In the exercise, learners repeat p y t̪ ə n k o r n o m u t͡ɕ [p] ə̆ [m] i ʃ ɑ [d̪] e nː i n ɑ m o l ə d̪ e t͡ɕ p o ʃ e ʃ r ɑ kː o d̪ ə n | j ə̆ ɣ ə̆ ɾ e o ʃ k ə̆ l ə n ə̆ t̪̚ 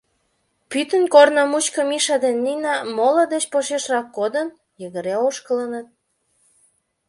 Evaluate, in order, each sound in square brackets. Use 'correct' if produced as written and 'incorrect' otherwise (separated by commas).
incorrect, correct, correct